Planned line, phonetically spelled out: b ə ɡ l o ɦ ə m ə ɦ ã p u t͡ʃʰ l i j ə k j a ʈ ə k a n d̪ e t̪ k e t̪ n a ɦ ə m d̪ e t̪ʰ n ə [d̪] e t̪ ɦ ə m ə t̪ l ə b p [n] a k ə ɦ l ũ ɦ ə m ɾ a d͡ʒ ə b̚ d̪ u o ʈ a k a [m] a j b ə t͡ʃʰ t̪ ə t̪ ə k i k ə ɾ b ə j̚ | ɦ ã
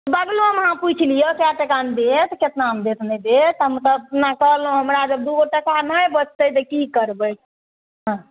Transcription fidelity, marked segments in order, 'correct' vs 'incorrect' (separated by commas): correct, correct, incorrect